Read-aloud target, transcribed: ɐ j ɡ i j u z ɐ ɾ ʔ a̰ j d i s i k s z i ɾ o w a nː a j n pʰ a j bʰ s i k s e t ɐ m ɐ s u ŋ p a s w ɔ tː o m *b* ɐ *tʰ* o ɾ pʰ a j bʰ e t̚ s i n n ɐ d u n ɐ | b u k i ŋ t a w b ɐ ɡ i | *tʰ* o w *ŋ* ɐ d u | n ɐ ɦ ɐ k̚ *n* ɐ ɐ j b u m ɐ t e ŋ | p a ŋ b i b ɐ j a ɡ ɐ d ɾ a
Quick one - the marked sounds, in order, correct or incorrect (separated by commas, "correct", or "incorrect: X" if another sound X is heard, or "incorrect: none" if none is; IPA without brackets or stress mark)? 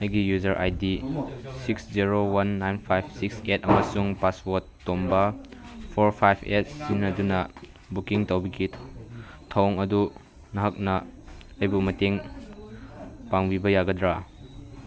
correct, incorrect: pʰ, correct, correct, correct